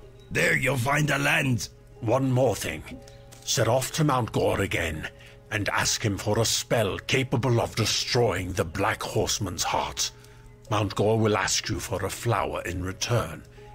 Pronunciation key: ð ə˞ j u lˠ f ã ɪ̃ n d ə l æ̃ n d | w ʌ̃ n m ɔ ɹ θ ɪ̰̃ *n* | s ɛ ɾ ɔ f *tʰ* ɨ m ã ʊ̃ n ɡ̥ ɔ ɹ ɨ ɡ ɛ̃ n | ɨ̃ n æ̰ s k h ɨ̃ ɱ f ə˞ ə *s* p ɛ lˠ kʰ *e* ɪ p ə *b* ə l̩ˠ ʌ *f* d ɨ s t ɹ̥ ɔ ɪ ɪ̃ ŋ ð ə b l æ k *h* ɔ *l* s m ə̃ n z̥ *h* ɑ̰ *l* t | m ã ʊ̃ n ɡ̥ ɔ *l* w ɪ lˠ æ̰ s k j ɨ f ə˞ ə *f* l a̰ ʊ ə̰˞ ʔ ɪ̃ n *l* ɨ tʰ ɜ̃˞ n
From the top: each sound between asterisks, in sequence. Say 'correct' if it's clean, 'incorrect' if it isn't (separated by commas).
incorrect, correct, correct, correct, correct, incorrect, correct, incorrect, correct, incorrect, incorrect, correct, incorrect